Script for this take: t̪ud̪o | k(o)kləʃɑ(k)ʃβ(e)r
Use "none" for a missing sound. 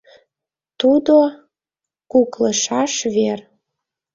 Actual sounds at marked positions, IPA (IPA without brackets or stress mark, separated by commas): u, none, e